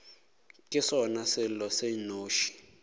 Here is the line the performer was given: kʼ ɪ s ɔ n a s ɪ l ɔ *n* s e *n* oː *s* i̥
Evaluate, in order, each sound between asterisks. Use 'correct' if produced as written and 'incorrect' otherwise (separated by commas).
incorrect, correct, incorrect